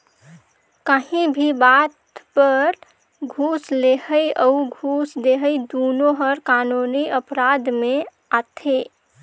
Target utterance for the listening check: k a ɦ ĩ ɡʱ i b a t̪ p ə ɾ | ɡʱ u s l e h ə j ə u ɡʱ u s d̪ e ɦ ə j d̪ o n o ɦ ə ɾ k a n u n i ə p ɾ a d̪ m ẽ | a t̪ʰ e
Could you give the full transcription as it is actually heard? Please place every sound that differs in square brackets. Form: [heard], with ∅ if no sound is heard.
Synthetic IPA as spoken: k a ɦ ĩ [bʱ] i b a t̪ p ə ɾ | ɡʱ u s l e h ə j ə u ɡʱ u s d̪ e ɦ ə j d̪ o n o ɦ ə ɾ k a n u n i ə p ɾ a d̪ m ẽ | a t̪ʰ e